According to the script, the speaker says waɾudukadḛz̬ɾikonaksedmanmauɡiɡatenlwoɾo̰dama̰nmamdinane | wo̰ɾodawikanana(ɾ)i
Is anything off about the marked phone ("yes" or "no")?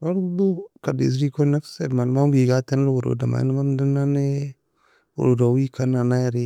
no